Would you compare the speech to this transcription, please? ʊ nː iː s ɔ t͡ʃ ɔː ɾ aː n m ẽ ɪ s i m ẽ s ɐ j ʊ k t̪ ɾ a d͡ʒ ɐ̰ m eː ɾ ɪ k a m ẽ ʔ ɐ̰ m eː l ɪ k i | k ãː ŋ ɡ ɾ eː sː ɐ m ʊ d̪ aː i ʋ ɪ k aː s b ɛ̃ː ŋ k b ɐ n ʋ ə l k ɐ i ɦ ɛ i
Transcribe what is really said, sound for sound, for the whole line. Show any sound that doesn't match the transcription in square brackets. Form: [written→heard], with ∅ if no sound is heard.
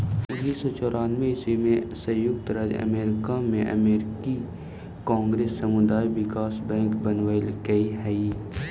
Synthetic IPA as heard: ʊ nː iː s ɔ t͡ʃ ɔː ɾ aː n m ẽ ɪ s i m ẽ s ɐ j ʊ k t̪ ɾ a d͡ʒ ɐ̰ m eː ɾ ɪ k a m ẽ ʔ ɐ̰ m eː [l→ɾ] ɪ k i | k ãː ŋ ɡ ɾ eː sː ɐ m ʊ d̪ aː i ʋ ɪ k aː s b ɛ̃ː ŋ k b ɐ n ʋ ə l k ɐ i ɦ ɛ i

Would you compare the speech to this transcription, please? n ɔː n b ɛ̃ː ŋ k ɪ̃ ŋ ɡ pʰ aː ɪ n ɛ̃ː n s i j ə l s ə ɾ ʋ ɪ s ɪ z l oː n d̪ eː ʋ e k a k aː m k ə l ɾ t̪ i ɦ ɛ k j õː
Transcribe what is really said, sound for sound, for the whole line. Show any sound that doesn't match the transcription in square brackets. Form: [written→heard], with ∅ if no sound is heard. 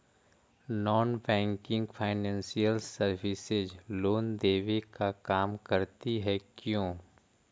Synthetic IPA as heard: n ɔː n b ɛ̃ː ŋ k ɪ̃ ŋ ɡ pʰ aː ɪ n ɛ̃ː n s i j ə l s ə ɾ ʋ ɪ s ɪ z l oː n d̪ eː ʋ e k a k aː m k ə [l→∅] ɾ t̪ i ɦ ɛ k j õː

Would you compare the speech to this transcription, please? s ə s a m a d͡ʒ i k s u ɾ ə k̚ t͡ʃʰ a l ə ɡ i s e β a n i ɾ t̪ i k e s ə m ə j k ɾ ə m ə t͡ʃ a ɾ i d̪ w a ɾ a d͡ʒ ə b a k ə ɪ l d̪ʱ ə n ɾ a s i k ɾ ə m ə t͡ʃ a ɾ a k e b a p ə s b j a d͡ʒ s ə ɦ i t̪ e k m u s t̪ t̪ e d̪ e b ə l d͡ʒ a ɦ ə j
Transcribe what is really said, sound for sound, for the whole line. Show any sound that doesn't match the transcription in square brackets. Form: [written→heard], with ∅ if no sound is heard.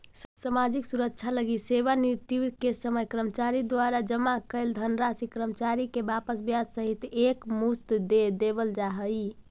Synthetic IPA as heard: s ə s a m a d͡ʒ i k s u ɾ ə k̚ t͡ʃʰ a l ə ɡ i s e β a n i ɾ t̪ i k e s ə m ə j k ɾ ə m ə t͡ʃ a ɾ i d̪ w a ɾ a d͡ʒ ə [b→m] a k ə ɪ l d̪ʱ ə n ɾ a s i k ɾ ə m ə t͡ʃ a ɾ [a→i] k e b a p ə s b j a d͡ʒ s ə ɦ i t̪ e k m u s t̪ [t̪→d̪] e d̪ e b ə l d͡ʒ a ɦ ə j

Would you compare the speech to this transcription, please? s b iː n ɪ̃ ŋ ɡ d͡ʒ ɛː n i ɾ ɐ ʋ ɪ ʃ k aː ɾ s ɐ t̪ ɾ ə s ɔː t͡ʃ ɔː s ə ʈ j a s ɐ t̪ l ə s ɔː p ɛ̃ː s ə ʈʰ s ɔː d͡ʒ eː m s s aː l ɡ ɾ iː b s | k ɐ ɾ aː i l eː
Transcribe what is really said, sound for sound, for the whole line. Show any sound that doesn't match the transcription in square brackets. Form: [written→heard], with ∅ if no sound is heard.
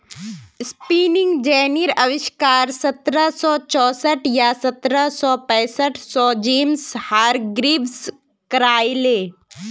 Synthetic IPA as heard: s [b→p] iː n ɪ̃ ŋ ɡ d͡ʒ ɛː n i ɾ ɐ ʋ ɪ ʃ k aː ɾ s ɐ t̪ ɾ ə s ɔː t͡ʃ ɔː s ə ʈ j a s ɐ t̪ [l→ɾ] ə s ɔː p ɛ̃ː s ə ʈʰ s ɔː d͡ʒ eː m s [s→h] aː [l→ɾ] ɡ ɾ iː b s | k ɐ ɾ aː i l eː

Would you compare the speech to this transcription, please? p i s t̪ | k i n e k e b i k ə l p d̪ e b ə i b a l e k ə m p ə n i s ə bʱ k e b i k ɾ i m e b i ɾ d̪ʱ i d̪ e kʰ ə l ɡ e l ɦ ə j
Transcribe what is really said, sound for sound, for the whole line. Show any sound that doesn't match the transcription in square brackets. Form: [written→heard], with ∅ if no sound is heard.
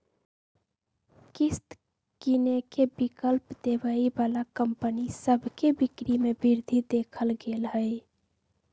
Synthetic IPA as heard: [p→k] i s t̪ | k i n e k e b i k ə l p d̪ e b ə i b a l [e→a] k ə m p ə n i s ə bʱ k e b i k ɾ i m e b i ɾ d̪ʱ i d̪ e kʰ ə l ɡ e l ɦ ə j

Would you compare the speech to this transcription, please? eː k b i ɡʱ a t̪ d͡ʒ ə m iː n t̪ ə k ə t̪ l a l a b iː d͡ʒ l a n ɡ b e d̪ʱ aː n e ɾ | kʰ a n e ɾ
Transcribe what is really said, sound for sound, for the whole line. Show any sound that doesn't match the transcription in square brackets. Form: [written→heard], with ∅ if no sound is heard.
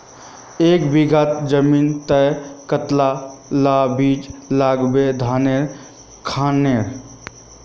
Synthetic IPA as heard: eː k b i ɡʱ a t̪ d͡ʒ ə m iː n t̪ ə k ə t̪ l a l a b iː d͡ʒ l a [n→∅] ɡ b e d̪ʱ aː n e ɾ | kʰ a n e ɾ

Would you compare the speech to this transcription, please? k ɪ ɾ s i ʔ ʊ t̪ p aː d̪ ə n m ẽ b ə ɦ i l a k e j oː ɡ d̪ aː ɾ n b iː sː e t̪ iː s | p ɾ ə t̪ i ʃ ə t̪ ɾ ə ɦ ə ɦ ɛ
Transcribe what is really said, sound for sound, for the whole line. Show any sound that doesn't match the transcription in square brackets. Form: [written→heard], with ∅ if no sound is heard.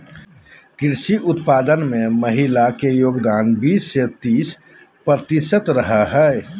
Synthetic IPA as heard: k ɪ ɾ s i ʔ ʊ t̪ p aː d̪ ə n m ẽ [b→m] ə ɦ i l a k e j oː ɡ d̪ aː [ɾ→∅] n b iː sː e t̪ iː s | p ɾ ə t̪ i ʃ ə t̪ ɾ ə ɦ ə ɦ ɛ

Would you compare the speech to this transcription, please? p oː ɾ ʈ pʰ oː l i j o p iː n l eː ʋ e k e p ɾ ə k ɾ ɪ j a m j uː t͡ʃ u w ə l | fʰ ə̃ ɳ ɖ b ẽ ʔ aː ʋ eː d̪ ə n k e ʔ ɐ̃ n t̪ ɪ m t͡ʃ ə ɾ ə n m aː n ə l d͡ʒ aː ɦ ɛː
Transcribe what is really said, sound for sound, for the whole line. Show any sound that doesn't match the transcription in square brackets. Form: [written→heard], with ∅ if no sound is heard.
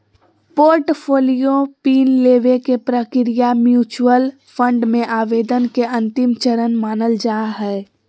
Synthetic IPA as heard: p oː ɾ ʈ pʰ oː l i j o p iː n l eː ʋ e k e p ɾ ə k ɾ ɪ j a m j uː t͡ʃ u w ə l | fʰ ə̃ ɳ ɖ [b→m] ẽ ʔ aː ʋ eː d̪ ə n k e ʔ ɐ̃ n t̪ ɪ m t͡ʃ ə ɾ ə n m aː n ə l d͡ʒ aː ɦ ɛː

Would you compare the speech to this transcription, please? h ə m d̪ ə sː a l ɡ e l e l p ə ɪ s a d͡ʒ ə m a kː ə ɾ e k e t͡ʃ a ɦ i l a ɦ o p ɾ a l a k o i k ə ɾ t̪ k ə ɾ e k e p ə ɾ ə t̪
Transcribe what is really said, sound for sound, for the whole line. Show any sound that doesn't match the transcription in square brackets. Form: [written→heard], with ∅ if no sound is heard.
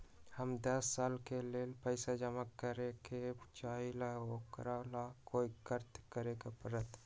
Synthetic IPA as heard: h ə m d̪ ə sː a l [ɡ→k] e l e l p ə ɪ s a d͡ʒ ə m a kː ə ɾ e k e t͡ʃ a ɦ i l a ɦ o [p→k] ɾ a l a k o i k ə ɾ t̪ k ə ɾ e k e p ə ɾ ə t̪

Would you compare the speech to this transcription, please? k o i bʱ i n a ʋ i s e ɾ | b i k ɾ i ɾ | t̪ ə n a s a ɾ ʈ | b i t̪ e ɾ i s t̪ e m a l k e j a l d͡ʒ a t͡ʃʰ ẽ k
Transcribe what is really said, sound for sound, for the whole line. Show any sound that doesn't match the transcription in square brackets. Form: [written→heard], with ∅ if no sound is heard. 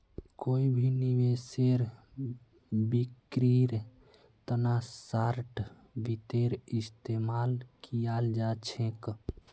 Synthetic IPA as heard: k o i bʱ i n [a→i] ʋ [i→e] s e ɾ | b i k ɾ i ɾ | t̪ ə n a s a ɾ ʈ | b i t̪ e ɾ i s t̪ e m a l k [e→i] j a l d͡ʒ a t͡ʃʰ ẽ k

